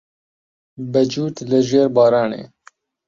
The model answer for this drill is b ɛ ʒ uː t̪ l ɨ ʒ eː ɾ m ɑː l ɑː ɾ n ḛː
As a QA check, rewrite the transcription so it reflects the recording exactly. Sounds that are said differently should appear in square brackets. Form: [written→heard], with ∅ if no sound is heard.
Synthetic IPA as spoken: b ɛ [ʒ→d͡ʒ] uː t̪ l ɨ ʒ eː ɾ [m→b] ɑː [l→ɾ] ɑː [ɾ→∅] n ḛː